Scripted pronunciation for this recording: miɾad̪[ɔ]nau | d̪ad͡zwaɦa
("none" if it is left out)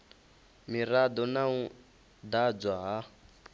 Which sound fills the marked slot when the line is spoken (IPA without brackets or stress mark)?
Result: ɔ